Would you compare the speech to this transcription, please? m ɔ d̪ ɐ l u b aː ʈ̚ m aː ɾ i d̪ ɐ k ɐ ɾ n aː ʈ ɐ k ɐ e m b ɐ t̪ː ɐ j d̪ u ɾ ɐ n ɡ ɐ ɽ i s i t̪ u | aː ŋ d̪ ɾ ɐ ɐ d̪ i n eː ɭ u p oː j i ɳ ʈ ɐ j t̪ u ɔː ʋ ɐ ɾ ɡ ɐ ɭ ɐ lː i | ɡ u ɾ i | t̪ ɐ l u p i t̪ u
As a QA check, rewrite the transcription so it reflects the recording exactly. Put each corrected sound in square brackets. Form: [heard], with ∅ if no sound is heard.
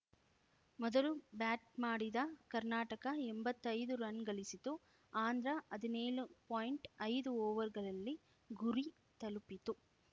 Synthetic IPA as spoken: m ɔ d̪ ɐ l u b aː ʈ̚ m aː [ɽ] i d̪ ɐ k ɐ ɾ n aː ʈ ɐ k ɐ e m b ɐ t̪ː ɐ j d̪ u ɾ ɐ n ɡ ɐ [ɭ] i s i t̪ u | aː [n] d̪ ɾ ɐ ɐ d̪ i n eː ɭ u p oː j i ɳ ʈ ɐ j [d̪] u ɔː ʋ ɐ ɾ ɡ ɐ ɭ ɐ lː i | ɡ u ɾ i | t̪ ɐ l u p i t̪ u